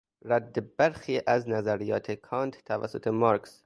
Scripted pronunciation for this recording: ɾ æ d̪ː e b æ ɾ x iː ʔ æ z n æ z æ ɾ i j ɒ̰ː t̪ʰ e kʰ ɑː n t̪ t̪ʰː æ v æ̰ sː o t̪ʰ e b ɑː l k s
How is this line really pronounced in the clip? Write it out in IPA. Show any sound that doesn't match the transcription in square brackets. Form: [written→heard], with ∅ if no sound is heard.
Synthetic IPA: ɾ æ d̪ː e b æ ɾ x iː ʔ æ z n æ z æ ɾ i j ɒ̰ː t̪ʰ e kʰ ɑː n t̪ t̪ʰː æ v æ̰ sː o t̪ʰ e [b→m] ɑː [l→ɾ] k s